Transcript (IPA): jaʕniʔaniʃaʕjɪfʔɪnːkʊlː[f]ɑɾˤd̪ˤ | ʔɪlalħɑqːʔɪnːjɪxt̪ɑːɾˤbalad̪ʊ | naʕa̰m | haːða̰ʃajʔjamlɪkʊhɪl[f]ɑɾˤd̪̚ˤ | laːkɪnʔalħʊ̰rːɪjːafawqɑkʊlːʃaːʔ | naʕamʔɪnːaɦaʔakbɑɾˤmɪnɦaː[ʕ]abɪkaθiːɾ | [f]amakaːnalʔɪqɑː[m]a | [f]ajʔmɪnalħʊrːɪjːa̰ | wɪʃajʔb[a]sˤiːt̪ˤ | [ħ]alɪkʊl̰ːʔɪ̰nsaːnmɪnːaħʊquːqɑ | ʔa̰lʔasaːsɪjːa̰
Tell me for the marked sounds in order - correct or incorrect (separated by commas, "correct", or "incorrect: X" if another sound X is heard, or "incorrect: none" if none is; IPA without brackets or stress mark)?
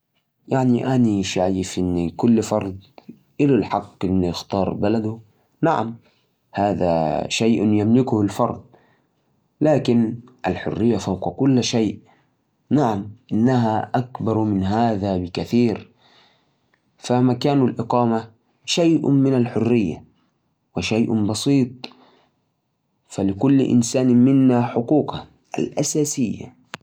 correct, correct, incorrect: ð, correct, correct, incorrect: ʃ, incorrect: ɑ, incorrect: f